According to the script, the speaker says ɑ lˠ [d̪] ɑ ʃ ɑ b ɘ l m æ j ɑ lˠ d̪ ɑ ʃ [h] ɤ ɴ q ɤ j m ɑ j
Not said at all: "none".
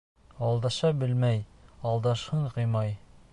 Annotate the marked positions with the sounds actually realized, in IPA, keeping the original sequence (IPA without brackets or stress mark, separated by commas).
d̪, h